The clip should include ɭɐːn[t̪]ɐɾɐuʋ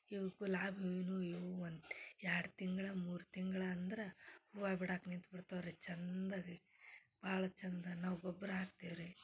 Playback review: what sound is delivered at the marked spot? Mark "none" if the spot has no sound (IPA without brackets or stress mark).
d̪